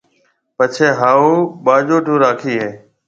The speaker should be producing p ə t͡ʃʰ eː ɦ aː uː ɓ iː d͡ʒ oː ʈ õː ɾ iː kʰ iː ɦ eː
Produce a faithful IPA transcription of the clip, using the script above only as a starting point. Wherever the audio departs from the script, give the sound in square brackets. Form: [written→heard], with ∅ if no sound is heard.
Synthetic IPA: p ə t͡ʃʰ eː ɦ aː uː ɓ [iː→aː] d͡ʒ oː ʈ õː ɾ [iː→aː] kʰ iː ɦ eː